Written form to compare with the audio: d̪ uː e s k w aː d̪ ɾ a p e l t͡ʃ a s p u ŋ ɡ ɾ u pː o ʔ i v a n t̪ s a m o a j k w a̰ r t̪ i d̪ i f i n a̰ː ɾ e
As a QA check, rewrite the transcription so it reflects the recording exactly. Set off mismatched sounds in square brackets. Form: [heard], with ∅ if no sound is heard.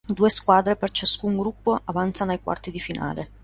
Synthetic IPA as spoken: d̪ uː e s k w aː d̪ ɾ [e] p e [r] t͡ʃ a s [k] u ŋ ɡ ɾ u pː o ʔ [a] v a n t̪ s a [n] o a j k w a̰ r t̪ i d̪ i f i n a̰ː [l] e